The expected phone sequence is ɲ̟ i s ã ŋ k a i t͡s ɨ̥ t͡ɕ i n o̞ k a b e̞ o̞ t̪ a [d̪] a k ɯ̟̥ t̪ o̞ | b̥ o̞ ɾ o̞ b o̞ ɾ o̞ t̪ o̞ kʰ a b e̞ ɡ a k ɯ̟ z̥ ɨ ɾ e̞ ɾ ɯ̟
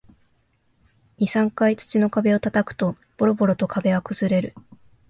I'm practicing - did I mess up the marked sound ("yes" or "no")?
yes